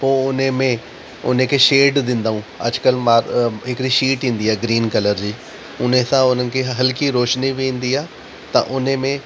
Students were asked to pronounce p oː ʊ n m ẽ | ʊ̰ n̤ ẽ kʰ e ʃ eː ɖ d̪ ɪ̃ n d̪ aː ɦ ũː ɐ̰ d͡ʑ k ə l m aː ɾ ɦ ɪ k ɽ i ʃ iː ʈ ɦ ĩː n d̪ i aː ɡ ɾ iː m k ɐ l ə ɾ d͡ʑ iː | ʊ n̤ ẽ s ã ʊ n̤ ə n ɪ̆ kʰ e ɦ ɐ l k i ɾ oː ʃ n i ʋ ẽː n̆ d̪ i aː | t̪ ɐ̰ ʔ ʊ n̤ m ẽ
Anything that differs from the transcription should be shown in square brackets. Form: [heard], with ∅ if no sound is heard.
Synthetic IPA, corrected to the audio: p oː ʊ n m ẽ | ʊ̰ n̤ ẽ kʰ e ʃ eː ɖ d̪ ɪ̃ n d̪ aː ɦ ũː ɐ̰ d͡ʑ k ə l m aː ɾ ɦ ɪ k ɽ i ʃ iː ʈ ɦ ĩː n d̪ i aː ɡ ɾ iː [n] k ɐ l ə ɾ d͡ʑ iː | ʊ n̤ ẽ s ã ʊ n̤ ə n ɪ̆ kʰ e ɦ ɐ l k i ɾ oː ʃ n i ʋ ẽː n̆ d̪ i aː | t̪ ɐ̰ ʔ ʊ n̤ m ẽ